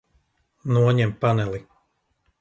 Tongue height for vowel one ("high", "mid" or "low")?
high